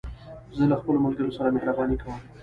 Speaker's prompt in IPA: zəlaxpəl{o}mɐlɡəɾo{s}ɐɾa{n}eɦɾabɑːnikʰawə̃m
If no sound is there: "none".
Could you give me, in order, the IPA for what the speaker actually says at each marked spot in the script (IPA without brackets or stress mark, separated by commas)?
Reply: o, s, m